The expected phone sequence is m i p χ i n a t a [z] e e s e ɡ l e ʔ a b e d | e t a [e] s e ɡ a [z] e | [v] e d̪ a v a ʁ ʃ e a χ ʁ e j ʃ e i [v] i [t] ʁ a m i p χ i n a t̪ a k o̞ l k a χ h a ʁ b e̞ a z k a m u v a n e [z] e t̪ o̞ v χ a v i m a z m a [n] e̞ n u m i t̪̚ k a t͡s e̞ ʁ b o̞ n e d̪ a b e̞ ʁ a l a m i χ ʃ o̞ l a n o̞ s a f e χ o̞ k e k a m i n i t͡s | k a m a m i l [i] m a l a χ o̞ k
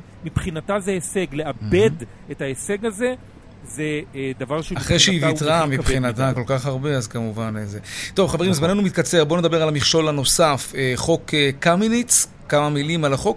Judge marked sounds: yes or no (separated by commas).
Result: yes, yes, yes, no, yes, yes, yes, yes, yes